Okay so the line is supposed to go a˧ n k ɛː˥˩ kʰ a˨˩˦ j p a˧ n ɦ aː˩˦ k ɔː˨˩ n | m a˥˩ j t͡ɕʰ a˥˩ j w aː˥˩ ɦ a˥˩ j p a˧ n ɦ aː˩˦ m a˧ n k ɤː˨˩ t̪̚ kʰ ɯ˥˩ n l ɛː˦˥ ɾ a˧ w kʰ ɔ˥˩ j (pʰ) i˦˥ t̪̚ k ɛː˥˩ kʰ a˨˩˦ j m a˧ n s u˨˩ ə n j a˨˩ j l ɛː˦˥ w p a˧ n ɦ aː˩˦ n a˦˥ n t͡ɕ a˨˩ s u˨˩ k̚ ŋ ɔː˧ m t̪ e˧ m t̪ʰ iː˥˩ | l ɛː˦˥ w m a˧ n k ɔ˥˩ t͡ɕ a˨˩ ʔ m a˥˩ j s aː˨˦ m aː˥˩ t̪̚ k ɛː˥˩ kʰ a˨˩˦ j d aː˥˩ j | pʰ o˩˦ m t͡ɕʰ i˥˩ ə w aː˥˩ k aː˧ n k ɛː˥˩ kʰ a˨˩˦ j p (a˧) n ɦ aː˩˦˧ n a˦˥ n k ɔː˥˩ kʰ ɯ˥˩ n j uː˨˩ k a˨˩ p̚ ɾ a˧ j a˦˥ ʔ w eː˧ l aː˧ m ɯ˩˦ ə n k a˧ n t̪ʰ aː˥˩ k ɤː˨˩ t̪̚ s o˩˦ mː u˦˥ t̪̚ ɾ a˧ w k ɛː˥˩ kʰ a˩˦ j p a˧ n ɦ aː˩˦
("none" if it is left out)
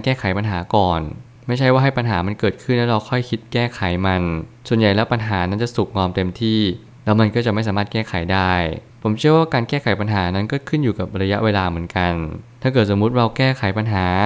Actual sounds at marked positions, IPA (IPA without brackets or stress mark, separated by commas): kʰ, a˧